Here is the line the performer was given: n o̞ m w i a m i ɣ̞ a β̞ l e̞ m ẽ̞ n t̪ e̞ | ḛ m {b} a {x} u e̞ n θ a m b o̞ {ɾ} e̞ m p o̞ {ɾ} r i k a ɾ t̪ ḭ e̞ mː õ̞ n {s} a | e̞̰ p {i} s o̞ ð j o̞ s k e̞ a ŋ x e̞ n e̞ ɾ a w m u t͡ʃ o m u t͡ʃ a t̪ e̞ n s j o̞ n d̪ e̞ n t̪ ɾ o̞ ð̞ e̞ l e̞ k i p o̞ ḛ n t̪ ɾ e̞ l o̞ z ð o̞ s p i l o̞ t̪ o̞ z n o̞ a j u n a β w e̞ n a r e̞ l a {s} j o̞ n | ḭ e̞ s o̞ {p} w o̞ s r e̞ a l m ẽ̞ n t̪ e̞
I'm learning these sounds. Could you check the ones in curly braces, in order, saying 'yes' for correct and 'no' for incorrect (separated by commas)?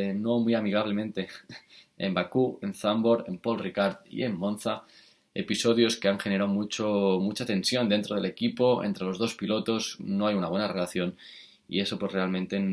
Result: yes, no, yes, no, no, yes, no, yes